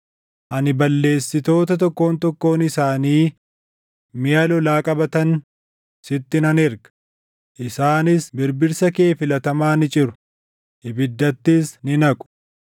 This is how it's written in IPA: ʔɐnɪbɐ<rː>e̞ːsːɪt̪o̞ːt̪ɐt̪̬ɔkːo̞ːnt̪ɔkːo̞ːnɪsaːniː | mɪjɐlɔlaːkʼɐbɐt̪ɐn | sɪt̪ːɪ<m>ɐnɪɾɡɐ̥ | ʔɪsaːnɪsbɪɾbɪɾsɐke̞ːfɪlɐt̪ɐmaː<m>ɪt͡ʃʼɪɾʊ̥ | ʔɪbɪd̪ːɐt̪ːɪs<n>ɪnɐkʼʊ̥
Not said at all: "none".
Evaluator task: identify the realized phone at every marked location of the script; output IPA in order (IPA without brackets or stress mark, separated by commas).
lː, n, n, n